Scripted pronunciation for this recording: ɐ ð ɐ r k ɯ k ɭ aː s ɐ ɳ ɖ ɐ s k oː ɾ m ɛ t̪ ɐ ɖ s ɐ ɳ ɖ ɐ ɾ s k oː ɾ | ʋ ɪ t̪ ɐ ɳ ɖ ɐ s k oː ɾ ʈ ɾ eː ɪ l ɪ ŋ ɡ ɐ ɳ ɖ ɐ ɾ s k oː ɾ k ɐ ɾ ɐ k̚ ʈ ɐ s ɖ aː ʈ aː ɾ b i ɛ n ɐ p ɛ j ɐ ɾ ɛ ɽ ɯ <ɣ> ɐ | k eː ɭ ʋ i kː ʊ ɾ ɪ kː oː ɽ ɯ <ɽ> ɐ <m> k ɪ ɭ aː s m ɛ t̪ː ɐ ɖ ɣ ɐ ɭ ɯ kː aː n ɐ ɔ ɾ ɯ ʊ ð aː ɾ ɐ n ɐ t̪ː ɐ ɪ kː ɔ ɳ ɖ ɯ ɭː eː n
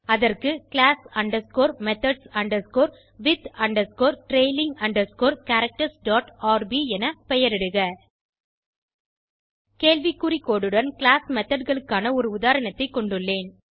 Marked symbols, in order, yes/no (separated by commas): yes, yes, no